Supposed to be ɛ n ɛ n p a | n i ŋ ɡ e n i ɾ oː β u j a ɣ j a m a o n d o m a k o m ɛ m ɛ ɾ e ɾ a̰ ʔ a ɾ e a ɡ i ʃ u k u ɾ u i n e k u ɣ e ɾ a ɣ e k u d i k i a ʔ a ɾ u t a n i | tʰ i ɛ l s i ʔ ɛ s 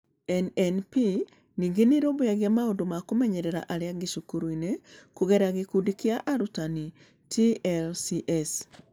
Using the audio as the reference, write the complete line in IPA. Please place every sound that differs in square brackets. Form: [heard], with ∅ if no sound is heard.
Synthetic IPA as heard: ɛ n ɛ n p [i] | n i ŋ ɡ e n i ɾ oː β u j a ɣ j a m a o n d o m a k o m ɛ [ɲ] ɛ ɾ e ɾ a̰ ʔ a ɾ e a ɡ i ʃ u k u ɾ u i n e k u ɣ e ɾ a ɣ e k u d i k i a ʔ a ɾ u t a n i | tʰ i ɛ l s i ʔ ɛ s